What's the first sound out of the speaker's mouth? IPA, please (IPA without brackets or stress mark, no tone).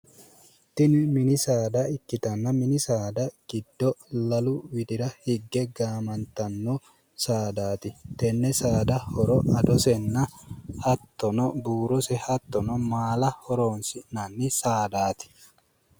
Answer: t̪